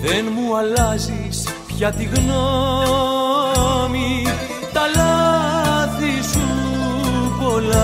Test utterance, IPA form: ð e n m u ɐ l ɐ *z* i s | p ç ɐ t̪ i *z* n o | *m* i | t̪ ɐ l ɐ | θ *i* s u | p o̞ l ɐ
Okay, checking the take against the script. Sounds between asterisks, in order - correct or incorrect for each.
correct, incorrect, correct, correct

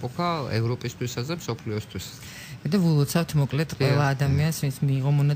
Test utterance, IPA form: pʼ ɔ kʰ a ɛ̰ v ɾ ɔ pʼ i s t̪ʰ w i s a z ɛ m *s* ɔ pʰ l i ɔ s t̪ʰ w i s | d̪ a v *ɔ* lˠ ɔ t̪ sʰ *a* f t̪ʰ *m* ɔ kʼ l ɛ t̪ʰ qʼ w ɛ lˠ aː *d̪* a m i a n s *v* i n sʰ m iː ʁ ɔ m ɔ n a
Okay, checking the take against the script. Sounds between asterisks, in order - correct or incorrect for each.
correct, incorrect, correct, correct, correct, correct

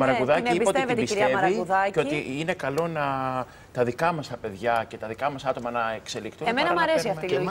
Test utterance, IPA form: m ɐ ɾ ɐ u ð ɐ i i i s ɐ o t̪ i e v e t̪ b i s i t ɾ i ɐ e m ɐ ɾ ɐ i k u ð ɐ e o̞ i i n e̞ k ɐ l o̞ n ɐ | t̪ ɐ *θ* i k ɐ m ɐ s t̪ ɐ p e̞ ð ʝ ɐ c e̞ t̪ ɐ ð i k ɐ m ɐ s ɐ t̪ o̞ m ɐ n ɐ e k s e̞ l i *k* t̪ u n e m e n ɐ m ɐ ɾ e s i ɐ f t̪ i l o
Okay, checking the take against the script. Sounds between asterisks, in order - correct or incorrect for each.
incorrect, correct

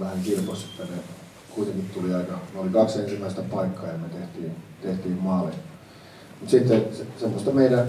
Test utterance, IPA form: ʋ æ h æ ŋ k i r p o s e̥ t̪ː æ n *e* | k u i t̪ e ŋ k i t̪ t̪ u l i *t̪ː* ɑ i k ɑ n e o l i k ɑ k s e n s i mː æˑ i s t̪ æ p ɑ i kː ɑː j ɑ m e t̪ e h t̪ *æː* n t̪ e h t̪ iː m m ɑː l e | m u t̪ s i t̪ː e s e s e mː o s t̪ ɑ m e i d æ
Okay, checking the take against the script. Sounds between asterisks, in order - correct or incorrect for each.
correct, incorrect, incorrect

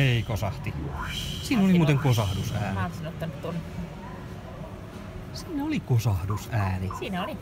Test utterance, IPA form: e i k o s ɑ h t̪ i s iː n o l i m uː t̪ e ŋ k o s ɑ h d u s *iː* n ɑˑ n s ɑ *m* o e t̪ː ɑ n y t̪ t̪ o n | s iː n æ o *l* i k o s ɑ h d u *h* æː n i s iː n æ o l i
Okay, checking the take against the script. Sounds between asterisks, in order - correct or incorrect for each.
incorrect, incorrect, correct, incorrect

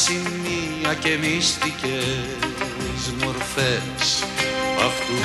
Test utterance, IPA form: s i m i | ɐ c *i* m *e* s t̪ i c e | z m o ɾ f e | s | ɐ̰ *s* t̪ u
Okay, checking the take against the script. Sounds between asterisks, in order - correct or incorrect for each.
incorrect, incorrect, incorrect

